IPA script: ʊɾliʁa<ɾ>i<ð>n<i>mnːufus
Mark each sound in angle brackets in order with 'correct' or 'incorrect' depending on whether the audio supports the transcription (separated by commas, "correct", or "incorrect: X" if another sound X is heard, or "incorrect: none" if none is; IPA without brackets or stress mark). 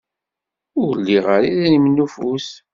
correct, correct, correct